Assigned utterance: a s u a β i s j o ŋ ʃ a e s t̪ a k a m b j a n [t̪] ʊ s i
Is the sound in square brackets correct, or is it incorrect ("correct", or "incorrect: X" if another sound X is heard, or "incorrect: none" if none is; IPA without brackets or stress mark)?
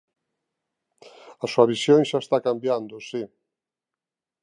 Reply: incorrect: d̪